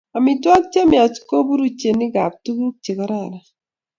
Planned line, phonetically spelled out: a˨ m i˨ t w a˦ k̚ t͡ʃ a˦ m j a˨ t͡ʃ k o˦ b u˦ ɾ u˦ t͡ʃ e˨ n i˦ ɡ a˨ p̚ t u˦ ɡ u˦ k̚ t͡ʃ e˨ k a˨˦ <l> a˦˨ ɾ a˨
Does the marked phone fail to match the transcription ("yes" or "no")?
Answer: yes